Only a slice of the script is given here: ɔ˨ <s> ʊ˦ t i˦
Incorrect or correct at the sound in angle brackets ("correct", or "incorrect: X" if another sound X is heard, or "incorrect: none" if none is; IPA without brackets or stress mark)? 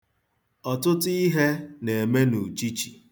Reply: incorrect: t